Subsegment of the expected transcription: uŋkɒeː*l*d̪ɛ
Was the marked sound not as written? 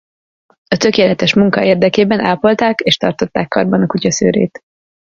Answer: yes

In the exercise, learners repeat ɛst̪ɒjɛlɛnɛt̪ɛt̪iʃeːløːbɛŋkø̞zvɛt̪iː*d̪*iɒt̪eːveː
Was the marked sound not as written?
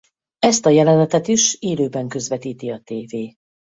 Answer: yes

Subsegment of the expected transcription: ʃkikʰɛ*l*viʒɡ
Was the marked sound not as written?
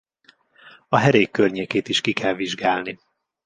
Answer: no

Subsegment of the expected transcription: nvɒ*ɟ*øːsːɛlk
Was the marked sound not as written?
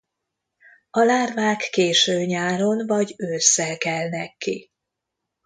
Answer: no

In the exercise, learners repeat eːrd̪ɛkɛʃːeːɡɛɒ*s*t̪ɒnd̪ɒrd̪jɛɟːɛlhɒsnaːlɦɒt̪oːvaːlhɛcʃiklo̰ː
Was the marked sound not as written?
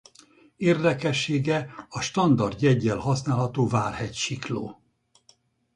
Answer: yes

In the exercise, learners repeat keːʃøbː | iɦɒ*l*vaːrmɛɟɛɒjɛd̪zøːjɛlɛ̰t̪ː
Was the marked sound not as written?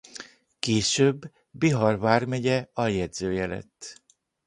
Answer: yes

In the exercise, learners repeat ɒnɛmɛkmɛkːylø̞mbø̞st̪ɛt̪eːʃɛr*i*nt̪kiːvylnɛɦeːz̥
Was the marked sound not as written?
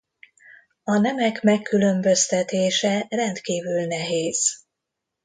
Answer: yes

